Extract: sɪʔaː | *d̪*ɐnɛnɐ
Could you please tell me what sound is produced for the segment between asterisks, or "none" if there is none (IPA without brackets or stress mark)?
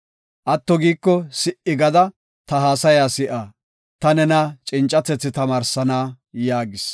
t̪